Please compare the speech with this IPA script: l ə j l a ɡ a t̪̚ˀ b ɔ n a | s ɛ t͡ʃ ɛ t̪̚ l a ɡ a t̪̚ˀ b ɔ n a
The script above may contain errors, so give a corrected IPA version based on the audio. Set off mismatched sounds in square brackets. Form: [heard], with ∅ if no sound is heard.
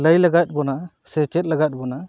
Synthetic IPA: l ə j l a ɡ a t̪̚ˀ b ɔ n a | s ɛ t͡ʃ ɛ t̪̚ l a ɡ a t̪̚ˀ b ɔ n a